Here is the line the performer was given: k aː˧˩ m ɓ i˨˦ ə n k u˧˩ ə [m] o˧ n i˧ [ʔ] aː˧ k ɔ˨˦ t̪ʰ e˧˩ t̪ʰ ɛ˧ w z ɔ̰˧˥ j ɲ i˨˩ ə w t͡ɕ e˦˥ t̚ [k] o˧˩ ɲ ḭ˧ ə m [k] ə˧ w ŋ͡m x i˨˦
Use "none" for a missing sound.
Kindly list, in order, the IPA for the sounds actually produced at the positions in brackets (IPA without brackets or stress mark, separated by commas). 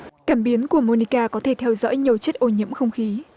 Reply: m, k, ʔ, x